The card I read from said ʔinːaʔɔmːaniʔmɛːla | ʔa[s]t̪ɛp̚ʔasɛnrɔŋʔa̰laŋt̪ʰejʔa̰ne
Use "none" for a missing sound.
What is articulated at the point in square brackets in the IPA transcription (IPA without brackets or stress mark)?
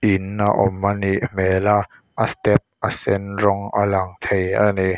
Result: s